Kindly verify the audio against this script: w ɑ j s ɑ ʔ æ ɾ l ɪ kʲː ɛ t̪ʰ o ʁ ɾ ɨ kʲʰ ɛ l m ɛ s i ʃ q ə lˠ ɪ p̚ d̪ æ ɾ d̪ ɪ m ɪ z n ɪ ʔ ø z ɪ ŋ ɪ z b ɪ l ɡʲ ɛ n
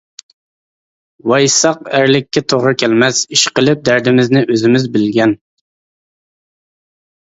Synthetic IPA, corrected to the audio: w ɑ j s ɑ q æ ɾ l ɪ kʲː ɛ t̪ʰ o ʁ ɾ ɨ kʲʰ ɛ l m ɛ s i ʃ q ə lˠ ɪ p̚ d̪ æ ɾ d̪ ɪ m ɪ z n ɪ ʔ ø z ɪ m ɪ z b ɪ l ɡʲ ɛ n